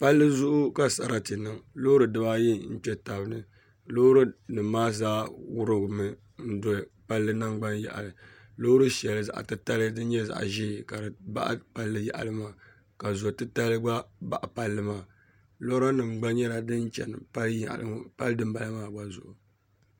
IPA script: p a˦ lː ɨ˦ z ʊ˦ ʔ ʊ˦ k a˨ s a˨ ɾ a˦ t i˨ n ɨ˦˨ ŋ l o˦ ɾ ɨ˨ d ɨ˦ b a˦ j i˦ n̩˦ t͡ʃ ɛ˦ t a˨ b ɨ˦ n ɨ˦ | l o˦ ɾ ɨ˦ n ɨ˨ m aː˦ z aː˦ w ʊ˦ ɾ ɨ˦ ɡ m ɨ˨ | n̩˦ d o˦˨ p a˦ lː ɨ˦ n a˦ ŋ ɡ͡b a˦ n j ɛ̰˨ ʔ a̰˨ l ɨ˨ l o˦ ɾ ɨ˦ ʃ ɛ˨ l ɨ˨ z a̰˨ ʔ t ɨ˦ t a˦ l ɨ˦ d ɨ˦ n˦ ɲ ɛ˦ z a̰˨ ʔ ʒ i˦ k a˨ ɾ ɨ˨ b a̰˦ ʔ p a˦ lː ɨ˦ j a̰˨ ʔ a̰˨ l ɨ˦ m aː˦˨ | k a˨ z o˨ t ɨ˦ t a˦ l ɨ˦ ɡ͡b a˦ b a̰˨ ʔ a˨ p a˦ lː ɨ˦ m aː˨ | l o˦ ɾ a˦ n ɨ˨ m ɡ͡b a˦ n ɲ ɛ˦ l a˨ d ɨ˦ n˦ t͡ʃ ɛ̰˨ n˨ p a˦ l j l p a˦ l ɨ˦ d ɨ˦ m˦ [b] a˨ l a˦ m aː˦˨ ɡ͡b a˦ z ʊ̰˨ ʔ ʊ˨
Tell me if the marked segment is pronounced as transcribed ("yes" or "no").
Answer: yes